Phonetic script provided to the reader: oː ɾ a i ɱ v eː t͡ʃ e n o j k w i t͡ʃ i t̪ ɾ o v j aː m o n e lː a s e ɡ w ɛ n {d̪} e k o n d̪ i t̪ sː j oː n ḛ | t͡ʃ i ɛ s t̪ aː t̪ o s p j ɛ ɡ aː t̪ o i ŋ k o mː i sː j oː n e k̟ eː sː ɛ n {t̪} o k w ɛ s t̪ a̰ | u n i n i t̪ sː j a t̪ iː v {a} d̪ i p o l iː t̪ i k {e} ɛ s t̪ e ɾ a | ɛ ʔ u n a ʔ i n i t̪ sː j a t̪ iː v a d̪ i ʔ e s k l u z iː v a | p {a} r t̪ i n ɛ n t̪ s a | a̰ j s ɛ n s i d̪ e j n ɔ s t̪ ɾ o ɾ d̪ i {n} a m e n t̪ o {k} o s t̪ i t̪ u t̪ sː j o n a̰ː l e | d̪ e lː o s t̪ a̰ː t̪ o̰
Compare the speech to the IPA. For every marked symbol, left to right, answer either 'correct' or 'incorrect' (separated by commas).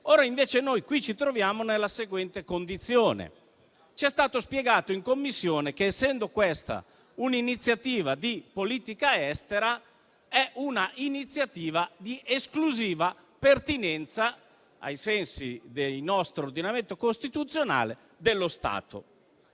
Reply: incorrect, incorrect, correct, incorrect, incorrect, correct, correct